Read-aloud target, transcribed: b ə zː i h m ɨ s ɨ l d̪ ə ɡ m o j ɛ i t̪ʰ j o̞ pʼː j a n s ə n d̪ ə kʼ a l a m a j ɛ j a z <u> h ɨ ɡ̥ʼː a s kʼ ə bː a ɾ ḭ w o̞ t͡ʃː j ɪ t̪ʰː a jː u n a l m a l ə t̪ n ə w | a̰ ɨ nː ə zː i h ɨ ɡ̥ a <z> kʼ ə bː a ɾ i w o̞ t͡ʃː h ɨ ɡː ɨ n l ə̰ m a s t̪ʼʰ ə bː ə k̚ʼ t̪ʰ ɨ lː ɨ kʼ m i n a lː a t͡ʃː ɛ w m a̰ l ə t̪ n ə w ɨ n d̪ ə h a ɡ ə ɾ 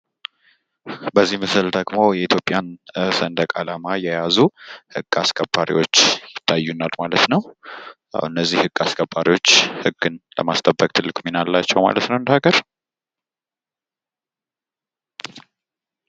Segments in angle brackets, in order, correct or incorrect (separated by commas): correct, incorrect